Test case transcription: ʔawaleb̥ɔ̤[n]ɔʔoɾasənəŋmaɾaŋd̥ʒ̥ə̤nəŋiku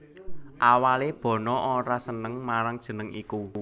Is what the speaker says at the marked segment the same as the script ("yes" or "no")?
yes